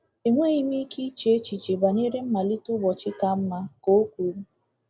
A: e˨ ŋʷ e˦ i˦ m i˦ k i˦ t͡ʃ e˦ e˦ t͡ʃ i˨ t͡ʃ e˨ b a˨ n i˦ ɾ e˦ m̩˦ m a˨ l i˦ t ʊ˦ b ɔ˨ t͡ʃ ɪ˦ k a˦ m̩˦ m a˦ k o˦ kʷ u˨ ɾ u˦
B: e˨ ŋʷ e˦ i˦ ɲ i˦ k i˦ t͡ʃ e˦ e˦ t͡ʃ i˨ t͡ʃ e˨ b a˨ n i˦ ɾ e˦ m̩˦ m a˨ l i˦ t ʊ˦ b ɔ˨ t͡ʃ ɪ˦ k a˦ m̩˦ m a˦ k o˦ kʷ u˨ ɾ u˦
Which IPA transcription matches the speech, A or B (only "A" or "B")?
A